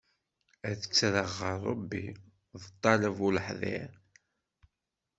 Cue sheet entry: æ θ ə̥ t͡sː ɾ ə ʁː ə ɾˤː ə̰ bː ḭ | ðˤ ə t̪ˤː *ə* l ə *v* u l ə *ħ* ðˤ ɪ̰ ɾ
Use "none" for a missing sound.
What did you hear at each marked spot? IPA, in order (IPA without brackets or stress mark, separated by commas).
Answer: ɑ, v, ħ